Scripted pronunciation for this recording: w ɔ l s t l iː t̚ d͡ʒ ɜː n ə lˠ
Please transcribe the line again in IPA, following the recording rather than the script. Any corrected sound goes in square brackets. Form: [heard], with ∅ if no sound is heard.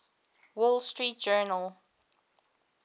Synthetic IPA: w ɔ l s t [ɹ] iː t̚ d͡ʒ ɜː n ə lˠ